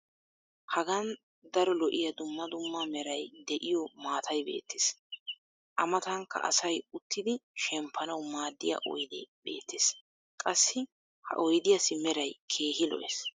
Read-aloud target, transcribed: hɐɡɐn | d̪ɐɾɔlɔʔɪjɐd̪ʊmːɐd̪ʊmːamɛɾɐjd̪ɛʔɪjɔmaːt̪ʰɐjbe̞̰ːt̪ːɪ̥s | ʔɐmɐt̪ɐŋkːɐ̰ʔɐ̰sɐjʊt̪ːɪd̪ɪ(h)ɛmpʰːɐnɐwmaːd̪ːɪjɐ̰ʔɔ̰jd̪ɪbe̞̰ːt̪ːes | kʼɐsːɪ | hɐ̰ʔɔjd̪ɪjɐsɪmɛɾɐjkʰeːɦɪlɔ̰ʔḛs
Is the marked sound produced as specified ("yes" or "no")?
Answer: no